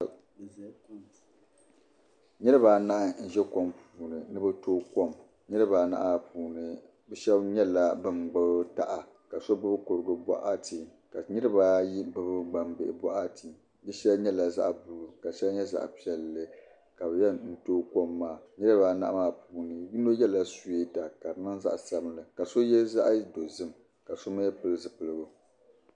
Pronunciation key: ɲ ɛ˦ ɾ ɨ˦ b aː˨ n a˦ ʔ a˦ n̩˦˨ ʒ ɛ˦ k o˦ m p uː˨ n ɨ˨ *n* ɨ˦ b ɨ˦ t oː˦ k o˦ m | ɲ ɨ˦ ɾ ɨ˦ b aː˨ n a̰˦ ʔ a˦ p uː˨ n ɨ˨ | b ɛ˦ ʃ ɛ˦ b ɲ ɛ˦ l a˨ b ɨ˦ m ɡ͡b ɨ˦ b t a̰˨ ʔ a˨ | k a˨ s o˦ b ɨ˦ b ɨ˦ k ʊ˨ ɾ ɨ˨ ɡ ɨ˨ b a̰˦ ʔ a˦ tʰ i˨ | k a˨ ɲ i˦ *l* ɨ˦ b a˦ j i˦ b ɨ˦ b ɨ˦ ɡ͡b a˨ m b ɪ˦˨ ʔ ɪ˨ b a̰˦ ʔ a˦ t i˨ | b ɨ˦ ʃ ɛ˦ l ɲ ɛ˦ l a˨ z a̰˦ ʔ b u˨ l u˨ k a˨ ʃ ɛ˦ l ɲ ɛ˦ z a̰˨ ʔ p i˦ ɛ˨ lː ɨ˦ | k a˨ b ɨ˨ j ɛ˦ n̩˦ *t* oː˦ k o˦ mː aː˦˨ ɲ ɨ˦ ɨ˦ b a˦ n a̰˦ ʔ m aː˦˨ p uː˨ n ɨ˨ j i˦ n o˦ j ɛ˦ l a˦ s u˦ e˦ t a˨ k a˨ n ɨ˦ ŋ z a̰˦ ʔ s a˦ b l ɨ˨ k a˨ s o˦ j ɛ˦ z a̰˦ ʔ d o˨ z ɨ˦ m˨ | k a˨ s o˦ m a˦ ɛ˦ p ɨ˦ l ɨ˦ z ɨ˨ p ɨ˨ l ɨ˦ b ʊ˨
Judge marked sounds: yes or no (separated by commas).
yes, no, yes